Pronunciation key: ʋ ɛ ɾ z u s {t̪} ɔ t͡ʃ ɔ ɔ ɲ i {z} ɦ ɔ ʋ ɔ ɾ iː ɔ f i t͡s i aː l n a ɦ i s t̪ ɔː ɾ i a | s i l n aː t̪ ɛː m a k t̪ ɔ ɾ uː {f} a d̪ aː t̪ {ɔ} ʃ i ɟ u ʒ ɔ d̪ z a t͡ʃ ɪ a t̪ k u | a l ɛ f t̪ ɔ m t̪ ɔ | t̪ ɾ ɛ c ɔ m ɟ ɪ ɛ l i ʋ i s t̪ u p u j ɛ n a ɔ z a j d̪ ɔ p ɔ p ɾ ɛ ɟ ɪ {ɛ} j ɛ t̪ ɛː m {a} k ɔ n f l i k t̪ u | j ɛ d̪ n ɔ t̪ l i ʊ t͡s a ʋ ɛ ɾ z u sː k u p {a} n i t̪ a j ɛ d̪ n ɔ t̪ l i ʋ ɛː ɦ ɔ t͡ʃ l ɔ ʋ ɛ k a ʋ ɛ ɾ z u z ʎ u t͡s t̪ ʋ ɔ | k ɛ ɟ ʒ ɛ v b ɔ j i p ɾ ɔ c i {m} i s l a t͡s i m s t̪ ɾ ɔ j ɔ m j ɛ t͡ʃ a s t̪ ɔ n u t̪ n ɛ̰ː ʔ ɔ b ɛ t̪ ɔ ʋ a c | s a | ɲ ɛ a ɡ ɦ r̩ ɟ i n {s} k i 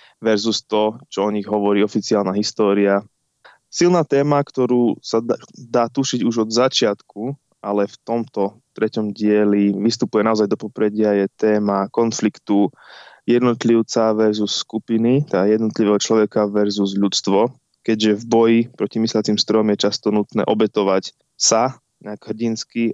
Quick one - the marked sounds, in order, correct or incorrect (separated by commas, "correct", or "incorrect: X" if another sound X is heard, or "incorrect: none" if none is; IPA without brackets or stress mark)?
correct, incorrect: ɣ, incorrect: s, incorrect: u, incorrect: a, correct, incorrect: i, correct, correct